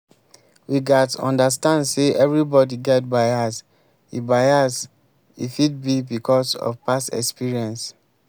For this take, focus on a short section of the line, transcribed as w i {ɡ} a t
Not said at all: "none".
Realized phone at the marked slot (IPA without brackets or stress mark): ɡ